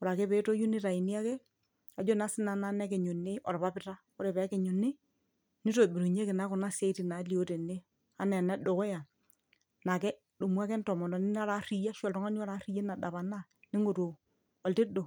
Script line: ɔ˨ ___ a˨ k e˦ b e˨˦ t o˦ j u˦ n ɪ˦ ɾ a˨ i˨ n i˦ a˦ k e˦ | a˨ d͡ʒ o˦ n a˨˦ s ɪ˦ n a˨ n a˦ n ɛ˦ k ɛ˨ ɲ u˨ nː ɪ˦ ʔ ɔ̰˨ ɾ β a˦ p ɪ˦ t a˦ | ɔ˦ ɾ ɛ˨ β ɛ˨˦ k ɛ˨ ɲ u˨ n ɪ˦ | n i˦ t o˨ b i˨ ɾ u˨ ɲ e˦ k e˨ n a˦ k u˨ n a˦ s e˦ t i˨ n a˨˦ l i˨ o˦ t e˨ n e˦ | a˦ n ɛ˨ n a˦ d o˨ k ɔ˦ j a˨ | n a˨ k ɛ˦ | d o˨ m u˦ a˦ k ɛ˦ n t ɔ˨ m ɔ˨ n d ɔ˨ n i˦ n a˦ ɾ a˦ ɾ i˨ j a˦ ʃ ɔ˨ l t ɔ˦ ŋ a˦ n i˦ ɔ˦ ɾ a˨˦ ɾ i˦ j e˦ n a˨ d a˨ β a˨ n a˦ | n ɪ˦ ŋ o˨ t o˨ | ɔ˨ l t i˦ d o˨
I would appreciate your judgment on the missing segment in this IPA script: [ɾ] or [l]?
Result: ɾ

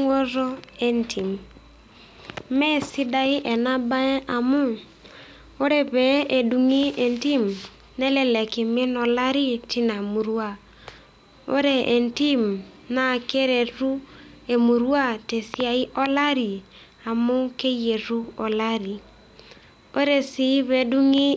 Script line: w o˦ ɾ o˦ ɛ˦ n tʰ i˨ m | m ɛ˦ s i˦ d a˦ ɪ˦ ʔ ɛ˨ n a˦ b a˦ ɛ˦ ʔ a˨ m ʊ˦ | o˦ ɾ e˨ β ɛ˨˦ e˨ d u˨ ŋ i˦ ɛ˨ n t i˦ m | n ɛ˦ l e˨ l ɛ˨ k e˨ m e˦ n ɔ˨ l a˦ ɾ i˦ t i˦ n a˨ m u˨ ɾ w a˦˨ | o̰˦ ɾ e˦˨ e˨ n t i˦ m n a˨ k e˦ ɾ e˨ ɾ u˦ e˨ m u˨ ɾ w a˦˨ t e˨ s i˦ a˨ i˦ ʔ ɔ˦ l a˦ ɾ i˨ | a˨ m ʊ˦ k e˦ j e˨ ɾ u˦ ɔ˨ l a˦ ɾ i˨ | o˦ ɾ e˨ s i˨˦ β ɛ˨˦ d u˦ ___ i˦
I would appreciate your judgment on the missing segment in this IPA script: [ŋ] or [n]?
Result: ŋ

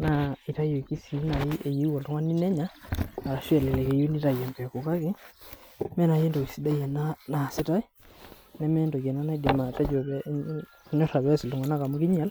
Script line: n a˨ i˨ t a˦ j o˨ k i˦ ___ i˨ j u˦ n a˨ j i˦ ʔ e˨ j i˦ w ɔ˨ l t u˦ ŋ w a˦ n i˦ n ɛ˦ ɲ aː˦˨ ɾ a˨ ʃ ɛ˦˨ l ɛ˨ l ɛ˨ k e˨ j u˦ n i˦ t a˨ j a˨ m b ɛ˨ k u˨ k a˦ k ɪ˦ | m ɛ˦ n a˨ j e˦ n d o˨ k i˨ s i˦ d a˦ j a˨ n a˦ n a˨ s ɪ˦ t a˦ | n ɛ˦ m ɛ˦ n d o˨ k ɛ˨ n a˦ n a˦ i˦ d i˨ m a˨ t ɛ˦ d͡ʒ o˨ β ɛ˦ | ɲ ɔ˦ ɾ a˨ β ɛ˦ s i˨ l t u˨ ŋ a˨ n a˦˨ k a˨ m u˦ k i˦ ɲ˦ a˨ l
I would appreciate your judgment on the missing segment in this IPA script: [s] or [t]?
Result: s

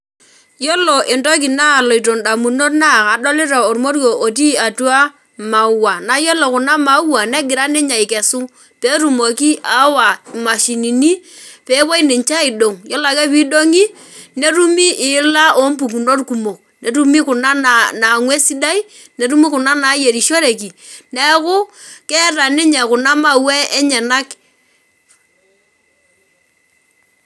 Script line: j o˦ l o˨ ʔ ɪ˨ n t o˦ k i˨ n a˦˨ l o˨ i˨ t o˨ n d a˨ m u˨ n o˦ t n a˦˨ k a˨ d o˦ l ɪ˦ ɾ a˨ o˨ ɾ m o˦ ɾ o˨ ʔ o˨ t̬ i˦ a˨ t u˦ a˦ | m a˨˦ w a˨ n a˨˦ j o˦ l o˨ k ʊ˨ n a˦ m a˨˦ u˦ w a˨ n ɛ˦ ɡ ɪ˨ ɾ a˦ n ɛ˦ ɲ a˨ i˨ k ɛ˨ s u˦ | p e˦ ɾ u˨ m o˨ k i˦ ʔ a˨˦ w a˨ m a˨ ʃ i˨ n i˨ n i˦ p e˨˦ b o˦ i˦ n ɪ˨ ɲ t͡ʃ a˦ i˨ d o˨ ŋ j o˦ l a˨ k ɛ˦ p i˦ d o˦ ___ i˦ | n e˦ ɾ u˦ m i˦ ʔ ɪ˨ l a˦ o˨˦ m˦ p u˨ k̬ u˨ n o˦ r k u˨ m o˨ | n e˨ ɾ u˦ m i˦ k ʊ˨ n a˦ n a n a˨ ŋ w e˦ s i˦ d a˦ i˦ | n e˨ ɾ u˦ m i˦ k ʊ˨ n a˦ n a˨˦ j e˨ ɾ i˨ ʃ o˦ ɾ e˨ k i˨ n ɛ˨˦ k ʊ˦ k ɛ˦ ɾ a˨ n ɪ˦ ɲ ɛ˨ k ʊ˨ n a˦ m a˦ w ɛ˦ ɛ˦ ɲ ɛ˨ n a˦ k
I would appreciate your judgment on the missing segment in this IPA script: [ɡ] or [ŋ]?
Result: ŋ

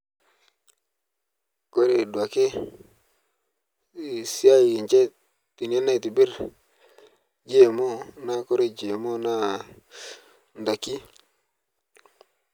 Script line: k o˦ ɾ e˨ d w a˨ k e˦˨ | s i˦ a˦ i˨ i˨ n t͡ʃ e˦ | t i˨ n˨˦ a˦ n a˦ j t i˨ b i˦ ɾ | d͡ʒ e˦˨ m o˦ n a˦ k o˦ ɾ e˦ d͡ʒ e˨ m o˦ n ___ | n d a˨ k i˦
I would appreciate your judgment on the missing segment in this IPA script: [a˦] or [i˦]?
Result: a˦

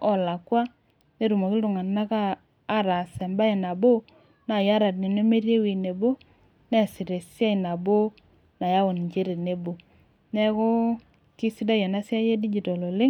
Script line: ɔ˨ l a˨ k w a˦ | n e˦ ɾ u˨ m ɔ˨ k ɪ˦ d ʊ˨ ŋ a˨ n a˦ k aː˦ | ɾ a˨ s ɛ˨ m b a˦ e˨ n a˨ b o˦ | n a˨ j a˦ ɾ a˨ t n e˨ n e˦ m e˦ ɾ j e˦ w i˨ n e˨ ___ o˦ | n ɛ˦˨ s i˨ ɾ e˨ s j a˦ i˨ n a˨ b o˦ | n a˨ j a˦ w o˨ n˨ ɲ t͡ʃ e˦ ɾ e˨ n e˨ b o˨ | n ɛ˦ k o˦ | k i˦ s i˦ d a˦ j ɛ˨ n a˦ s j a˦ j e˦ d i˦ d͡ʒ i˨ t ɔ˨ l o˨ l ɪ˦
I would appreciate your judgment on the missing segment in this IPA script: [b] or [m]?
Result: b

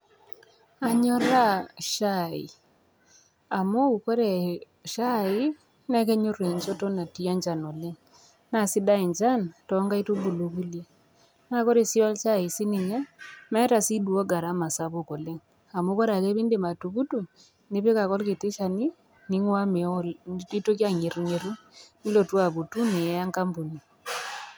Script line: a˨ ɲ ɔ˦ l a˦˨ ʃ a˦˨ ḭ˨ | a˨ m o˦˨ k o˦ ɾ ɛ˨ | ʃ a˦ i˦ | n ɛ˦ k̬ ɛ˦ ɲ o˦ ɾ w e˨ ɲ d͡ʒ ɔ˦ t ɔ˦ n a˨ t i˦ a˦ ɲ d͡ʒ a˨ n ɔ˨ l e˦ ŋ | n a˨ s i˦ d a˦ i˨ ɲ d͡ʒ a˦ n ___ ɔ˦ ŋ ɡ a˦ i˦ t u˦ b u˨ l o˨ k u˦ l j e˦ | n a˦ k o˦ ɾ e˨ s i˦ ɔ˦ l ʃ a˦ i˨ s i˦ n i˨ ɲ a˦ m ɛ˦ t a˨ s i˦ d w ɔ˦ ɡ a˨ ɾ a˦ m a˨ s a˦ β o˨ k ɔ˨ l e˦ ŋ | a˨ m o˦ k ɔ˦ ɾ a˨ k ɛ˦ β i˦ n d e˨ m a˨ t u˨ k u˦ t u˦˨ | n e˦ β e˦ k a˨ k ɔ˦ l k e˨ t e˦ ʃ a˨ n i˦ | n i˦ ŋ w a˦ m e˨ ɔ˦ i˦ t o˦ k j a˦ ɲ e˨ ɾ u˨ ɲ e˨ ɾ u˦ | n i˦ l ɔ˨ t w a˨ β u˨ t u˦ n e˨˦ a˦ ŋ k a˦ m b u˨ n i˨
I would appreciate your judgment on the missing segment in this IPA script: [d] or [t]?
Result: t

